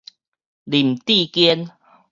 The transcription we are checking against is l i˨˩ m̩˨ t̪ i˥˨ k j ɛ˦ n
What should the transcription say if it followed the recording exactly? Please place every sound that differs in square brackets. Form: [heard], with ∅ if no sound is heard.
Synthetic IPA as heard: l i˨˩ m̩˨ t̪ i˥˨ k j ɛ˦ n